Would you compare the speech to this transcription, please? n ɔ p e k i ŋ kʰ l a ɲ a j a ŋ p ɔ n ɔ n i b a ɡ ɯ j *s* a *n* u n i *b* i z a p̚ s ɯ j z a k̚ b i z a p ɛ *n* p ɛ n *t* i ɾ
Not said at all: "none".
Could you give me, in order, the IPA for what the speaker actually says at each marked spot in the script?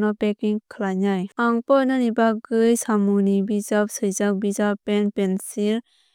s, m, b, n, s

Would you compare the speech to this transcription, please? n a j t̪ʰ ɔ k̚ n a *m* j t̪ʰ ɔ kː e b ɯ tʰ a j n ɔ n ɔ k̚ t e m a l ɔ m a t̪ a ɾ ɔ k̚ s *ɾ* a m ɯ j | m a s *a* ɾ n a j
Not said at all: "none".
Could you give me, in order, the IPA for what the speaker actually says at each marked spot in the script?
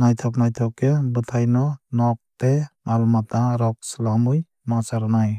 none, l, a

